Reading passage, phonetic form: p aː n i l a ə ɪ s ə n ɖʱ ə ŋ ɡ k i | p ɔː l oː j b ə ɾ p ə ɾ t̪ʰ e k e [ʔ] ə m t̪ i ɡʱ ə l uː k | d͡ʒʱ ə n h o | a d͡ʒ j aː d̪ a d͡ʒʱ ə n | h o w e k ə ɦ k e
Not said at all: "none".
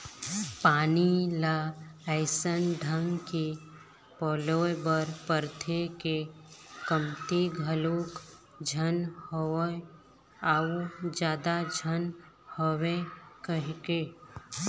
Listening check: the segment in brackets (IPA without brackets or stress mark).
k